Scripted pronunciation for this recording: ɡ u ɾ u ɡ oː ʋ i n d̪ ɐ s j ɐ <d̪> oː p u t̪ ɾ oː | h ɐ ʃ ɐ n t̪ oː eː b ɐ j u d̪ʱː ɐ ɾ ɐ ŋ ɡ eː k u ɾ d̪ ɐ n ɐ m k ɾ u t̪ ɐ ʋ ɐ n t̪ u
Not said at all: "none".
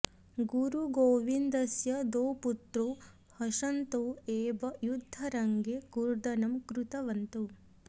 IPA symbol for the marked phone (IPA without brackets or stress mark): d̪